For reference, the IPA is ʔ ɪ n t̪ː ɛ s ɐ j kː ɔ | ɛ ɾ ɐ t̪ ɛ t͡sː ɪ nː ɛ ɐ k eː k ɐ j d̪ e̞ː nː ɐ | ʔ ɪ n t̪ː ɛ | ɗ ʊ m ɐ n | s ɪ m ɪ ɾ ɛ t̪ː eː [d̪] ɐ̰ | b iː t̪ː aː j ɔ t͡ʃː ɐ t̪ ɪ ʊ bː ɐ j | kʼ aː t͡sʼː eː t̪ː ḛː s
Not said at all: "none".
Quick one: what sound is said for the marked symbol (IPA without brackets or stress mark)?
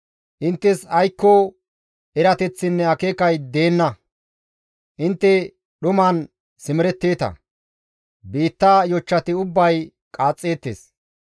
t̪